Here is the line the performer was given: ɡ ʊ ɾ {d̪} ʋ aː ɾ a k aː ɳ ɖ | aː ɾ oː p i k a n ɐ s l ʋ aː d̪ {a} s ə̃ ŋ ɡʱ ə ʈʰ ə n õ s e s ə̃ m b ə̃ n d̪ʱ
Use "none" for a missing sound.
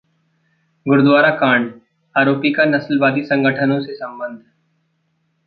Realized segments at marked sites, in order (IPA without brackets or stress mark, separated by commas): d̪, i